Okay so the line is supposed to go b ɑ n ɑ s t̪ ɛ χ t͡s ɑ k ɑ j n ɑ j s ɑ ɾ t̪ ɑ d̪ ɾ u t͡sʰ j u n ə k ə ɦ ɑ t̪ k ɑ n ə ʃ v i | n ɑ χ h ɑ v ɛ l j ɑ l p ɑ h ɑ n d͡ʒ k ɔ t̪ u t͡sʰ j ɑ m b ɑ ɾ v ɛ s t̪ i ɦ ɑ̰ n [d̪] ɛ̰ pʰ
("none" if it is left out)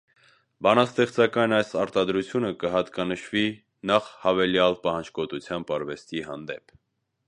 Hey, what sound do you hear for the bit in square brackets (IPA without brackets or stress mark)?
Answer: d̪